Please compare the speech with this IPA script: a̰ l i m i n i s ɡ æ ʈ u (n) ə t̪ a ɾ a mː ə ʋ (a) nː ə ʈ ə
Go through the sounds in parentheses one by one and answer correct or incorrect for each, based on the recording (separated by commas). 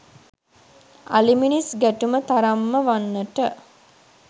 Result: incorrect, correct